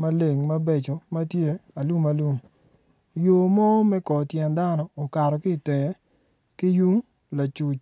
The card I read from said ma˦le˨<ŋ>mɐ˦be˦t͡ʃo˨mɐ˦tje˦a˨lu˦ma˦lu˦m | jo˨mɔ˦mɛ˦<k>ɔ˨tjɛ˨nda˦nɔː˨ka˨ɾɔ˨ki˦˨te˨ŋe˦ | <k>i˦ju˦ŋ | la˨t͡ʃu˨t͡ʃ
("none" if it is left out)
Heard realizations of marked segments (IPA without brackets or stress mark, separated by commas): ŋ, k, k